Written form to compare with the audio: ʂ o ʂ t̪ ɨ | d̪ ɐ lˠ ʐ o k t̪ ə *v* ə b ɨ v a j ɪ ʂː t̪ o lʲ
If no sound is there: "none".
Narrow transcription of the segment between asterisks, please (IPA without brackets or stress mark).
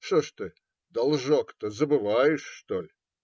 z